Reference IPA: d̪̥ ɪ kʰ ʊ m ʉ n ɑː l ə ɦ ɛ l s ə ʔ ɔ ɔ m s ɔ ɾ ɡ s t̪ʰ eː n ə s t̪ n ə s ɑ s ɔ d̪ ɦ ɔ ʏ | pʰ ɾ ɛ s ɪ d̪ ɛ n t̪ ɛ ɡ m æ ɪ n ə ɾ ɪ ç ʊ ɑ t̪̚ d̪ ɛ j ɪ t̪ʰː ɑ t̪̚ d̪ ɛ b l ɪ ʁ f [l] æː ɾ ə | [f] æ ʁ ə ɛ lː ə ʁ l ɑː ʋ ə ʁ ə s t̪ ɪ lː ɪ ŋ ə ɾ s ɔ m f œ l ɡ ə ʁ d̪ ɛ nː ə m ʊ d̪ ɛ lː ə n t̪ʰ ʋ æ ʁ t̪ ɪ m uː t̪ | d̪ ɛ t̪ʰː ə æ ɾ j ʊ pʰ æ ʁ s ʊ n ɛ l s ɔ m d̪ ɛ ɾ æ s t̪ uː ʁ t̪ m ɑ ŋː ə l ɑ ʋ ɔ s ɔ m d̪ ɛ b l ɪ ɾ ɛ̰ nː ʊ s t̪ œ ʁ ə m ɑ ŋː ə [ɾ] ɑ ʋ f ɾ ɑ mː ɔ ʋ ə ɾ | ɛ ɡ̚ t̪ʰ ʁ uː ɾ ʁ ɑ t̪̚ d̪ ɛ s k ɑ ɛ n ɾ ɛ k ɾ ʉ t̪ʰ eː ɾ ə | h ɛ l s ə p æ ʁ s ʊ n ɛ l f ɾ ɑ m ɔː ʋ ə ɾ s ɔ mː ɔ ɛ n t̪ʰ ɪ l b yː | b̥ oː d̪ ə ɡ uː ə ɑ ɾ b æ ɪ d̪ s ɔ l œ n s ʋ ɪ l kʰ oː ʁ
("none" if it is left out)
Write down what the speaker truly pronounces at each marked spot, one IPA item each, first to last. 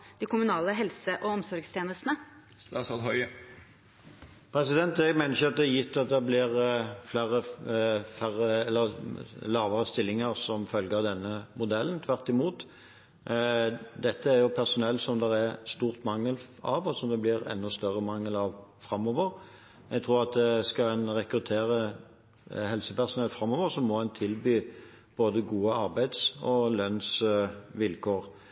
l, f, l

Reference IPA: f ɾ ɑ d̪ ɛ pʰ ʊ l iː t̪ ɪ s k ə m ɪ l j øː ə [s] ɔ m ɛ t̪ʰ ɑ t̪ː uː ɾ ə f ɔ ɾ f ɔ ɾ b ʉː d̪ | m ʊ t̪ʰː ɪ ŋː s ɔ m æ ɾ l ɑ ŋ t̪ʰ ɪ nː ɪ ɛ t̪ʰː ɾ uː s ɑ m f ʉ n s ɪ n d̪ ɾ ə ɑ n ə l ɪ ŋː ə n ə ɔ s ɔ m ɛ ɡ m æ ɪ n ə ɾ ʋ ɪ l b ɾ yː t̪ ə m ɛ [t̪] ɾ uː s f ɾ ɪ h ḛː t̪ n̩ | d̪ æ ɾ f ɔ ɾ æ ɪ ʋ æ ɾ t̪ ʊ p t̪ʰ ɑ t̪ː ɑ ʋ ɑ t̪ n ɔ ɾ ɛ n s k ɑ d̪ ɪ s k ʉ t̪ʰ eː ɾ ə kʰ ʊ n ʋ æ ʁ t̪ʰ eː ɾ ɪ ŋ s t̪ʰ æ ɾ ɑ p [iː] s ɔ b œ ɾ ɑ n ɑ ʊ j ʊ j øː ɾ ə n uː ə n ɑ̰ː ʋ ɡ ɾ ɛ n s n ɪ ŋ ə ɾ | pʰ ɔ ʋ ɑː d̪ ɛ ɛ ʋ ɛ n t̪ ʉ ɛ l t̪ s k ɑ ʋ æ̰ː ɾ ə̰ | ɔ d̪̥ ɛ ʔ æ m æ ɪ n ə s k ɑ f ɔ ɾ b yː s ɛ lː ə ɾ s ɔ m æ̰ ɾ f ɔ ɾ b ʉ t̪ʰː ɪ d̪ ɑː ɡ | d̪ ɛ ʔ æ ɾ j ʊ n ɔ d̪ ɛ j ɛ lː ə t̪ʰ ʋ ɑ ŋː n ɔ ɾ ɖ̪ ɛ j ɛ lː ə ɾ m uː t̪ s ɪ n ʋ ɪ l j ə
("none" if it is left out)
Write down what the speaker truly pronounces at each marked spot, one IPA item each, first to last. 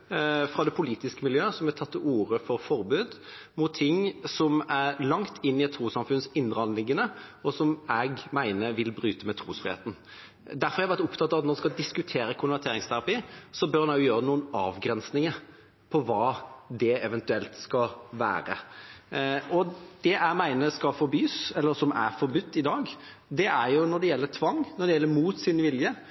s, t̪ʰ, iː

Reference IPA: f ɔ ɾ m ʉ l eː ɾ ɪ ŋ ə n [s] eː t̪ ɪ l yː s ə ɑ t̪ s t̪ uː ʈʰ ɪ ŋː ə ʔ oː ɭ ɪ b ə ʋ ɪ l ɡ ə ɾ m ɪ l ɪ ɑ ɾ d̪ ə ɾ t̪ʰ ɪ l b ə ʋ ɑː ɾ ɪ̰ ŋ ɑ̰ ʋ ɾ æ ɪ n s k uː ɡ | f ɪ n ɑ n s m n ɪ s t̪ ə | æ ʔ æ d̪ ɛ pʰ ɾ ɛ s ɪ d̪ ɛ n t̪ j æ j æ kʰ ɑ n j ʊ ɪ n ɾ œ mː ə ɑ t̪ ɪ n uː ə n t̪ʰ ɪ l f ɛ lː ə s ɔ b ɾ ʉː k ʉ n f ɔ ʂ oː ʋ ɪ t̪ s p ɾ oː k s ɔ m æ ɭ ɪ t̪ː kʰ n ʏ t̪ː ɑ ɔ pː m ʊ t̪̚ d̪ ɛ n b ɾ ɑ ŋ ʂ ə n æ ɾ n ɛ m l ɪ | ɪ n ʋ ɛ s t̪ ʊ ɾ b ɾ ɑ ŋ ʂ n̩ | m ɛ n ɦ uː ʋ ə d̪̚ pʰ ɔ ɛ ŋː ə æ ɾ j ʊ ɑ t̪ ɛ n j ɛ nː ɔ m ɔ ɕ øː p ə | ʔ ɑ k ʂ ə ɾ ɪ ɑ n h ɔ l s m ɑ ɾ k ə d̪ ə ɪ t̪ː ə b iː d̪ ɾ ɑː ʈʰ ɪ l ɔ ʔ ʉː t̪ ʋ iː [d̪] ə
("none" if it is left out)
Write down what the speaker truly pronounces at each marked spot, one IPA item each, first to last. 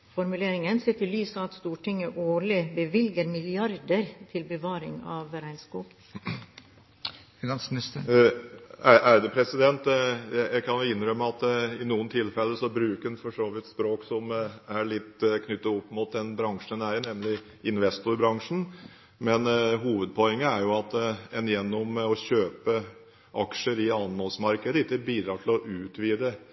s, d̪

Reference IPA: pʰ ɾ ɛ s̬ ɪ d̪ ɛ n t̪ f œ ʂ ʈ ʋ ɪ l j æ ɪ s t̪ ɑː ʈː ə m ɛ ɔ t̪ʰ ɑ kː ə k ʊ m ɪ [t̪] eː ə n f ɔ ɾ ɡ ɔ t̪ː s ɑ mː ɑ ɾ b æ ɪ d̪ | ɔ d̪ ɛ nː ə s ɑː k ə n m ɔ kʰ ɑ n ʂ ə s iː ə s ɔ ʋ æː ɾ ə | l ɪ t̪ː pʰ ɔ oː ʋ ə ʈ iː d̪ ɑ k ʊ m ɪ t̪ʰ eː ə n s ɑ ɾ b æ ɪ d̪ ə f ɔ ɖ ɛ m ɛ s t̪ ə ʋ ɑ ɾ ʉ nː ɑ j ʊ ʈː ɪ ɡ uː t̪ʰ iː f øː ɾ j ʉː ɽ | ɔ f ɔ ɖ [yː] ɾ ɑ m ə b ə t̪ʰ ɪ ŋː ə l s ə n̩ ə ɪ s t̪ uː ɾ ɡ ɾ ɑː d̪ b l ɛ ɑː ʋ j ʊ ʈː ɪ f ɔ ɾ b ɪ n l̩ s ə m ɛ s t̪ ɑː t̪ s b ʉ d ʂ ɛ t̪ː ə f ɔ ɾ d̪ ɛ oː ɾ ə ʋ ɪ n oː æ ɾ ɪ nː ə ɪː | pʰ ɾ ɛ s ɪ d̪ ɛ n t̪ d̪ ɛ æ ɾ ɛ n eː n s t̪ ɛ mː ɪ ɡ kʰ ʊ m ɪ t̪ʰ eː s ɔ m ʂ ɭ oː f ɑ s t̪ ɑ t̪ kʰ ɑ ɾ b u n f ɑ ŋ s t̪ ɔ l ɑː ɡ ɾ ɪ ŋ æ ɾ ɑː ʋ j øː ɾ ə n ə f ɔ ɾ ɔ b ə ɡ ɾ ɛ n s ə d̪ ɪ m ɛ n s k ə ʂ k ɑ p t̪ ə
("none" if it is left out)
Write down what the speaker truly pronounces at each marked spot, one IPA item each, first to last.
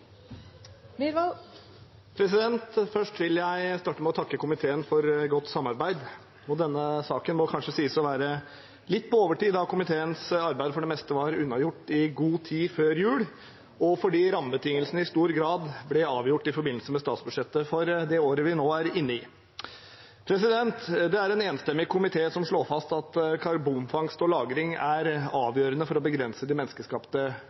t̪ʰ, iː

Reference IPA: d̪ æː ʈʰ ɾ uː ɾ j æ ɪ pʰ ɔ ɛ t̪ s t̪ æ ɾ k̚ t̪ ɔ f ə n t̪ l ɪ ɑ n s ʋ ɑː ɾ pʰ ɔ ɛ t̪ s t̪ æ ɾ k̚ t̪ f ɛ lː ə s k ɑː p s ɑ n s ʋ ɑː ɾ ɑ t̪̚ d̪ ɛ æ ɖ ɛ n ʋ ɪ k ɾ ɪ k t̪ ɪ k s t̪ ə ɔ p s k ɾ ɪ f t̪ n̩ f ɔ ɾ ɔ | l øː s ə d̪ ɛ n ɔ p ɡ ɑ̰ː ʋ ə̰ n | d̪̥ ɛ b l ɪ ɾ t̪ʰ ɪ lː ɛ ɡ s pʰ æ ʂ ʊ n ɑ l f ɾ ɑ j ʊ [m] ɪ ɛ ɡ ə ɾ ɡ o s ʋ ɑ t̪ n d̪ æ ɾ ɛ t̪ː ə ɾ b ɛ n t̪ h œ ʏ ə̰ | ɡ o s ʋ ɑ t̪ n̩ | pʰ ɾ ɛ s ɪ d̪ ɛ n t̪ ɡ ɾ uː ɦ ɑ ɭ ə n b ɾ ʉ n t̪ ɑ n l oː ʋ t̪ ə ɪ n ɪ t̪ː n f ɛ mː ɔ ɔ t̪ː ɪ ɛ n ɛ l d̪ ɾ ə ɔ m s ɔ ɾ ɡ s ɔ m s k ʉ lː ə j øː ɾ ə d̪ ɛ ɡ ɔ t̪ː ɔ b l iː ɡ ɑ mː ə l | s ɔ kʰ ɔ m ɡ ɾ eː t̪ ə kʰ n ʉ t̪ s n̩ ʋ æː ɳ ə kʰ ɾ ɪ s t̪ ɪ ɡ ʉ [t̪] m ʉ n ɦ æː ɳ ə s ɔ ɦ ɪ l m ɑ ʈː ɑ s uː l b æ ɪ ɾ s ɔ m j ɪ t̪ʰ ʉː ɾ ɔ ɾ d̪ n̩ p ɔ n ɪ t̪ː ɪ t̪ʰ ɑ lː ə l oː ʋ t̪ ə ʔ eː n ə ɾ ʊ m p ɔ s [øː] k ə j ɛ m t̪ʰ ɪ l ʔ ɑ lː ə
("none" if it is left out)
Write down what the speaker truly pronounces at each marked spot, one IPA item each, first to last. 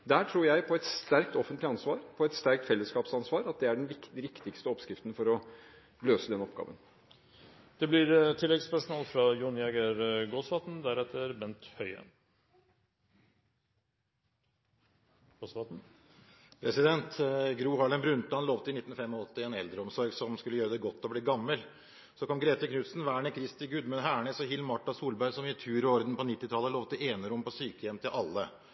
n, d̪, yː

